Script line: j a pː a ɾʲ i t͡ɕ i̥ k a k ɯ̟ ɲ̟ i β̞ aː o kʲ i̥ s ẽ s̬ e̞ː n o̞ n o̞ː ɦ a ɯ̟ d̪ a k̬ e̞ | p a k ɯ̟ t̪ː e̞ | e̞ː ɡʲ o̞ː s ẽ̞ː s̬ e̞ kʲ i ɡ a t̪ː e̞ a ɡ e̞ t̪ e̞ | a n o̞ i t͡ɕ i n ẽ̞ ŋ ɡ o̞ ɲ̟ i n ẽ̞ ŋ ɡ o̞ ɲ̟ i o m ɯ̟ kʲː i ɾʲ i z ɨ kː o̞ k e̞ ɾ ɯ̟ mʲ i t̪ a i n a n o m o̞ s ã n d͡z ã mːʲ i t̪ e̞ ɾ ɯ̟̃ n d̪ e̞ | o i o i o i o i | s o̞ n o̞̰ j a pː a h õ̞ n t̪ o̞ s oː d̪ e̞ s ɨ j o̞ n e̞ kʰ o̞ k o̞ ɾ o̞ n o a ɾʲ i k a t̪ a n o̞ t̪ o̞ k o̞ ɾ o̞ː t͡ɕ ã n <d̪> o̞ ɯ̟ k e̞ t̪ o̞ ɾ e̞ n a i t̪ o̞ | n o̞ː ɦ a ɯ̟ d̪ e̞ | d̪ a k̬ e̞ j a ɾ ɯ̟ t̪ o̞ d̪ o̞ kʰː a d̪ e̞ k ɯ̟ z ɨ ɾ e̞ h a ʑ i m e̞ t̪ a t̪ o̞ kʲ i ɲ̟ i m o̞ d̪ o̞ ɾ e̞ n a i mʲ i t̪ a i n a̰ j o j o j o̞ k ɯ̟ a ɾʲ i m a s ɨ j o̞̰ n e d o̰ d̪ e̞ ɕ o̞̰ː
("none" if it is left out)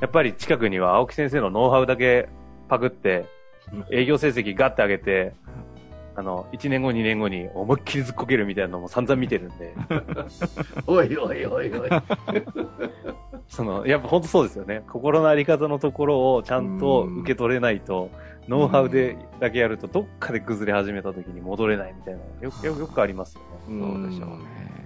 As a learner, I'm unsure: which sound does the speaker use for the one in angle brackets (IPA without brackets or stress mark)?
t̪